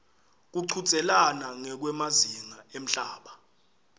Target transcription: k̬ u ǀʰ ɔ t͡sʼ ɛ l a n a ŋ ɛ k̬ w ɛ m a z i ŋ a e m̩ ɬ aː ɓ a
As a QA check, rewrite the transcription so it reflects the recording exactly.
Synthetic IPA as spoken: k̬ u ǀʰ u t͡sʼ ɛ l a n a ŋ ɛ k̬ w ɛ m a z i ŋ a e m̩ ɬ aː ɓ a